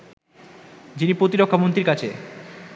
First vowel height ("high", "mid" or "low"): high